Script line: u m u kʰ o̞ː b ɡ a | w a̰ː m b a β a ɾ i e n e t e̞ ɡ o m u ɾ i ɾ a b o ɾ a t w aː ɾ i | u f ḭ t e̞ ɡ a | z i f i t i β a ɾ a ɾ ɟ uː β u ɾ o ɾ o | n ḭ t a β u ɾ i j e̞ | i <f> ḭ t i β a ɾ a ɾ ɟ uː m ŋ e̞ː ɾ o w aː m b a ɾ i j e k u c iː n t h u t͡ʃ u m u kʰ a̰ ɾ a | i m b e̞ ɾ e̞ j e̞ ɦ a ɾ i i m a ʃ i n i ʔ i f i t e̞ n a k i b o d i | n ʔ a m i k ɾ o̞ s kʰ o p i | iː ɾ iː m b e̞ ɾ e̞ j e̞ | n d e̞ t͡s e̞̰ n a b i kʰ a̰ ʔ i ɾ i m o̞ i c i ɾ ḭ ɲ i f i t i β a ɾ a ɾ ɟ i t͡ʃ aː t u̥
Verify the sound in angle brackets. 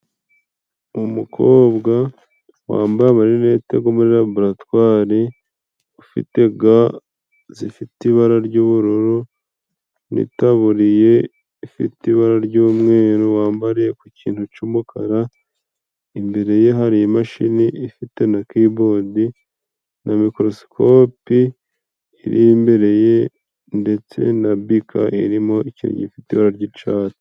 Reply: correct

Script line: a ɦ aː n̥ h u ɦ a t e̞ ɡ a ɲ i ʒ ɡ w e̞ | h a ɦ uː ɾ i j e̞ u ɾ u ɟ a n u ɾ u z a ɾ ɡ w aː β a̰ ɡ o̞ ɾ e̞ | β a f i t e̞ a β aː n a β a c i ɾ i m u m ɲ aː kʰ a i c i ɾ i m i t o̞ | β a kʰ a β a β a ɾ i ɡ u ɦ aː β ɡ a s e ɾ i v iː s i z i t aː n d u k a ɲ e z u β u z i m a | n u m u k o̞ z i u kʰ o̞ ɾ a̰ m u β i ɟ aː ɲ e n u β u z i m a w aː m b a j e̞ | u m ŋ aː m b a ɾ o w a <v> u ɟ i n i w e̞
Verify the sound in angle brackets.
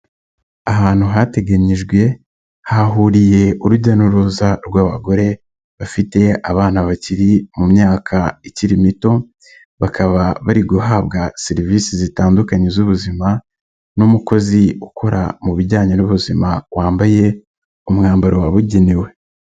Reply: incorrect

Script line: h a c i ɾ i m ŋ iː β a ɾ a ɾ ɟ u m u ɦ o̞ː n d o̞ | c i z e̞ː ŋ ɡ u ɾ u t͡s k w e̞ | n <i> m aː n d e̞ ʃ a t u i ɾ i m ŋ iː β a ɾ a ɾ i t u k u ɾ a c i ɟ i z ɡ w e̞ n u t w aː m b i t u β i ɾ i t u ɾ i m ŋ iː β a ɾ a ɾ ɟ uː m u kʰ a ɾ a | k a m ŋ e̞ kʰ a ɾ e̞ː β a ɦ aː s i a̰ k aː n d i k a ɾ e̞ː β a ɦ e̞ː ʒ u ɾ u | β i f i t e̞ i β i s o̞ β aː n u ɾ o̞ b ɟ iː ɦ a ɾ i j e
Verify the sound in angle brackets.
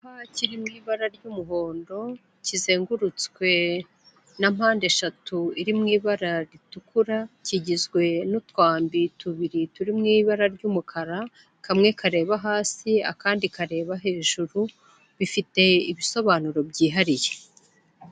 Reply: incorrect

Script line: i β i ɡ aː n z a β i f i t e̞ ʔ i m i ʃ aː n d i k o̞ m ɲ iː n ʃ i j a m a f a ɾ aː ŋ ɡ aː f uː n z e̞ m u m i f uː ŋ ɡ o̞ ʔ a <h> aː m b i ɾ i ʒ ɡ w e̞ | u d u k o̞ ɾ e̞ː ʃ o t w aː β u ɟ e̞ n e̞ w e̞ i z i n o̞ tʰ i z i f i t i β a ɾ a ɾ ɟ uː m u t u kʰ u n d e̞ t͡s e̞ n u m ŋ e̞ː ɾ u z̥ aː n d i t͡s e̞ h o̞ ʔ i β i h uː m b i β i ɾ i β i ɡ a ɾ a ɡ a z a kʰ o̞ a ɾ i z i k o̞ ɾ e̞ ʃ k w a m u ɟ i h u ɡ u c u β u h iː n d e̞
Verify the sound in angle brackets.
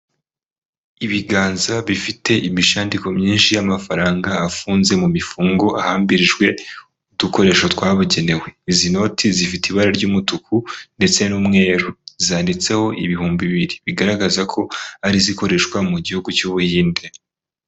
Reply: correct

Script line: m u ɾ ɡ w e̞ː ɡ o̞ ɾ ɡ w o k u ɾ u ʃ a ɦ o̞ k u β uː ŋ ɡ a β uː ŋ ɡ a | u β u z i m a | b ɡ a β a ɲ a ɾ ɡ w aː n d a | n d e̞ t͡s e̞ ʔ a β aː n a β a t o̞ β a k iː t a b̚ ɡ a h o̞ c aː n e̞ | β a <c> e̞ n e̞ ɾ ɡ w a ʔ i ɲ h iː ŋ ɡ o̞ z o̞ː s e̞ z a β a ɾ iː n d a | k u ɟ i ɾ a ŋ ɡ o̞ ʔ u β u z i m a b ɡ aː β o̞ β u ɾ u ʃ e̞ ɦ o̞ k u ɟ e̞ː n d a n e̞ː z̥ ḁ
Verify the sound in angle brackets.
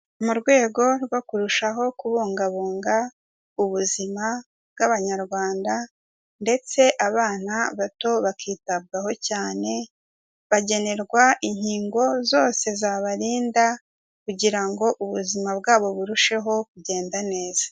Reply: incorrect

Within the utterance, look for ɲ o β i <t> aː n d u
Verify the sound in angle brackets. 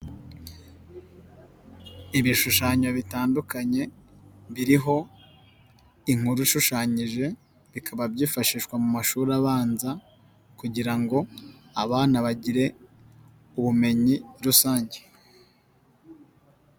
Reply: correct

